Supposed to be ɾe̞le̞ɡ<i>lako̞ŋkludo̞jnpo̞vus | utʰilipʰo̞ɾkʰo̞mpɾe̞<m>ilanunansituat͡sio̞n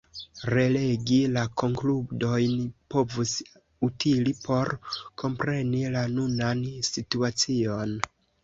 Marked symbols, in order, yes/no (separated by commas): yes, no